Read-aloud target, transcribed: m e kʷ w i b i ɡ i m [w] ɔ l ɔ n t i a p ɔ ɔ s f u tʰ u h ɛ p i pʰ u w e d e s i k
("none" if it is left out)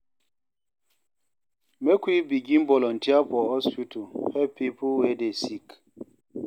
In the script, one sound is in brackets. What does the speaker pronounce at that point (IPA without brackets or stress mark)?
b